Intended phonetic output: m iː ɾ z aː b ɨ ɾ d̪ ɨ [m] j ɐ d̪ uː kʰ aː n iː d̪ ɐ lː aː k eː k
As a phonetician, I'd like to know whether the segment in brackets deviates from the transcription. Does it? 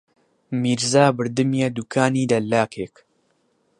no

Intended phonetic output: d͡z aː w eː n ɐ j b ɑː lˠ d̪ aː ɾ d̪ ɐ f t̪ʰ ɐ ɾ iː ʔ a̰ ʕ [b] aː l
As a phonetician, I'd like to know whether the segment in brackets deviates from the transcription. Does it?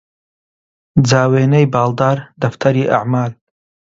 yes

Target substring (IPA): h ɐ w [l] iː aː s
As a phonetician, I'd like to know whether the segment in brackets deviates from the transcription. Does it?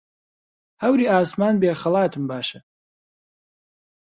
yes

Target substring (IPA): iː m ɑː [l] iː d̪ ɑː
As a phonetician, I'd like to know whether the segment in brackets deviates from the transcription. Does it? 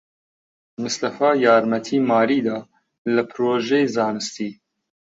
yes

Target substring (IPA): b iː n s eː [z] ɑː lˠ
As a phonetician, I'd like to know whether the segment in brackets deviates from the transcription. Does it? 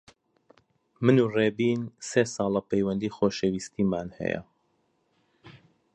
yes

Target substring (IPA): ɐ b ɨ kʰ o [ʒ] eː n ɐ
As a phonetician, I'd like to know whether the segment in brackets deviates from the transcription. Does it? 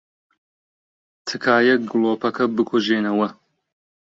no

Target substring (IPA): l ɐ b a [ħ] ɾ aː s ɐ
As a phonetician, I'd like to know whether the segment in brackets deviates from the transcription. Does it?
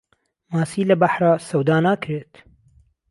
no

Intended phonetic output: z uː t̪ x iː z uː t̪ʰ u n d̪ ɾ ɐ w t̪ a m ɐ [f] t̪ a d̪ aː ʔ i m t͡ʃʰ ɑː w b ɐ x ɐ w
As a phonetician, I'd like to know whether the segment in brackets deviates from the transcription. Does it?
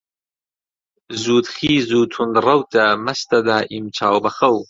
yes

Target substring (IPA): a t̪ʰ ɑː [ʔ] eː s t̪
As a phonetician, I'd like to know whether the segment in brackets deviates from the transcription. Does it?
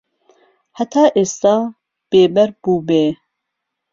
no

